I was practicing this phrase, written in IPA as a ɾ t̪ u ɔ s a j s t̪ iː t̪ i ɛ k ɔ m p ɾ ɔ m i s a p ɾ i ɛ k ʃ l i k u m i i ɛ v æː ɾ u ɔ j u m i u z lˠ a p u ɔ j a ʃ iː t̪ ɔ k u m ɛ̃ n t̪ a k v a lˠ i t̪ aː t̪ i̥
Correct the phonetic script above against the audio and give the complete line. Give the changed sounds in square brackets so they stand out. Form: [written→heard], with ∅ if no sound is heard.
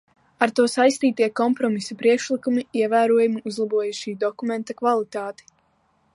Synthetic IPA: a ɾ t̪ u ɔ s a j s t̪ iː t̪ i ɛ k ɔ m p ɾ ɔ m i s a p ɾ i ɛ k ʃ l i k u m i i ɛ v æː ɾ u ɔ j u m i u z lˠ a [p→b] u ɔ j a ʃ iː [t̪→d̪] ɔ k u m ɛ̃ n t̪ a k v a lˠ i t̪ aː t̪ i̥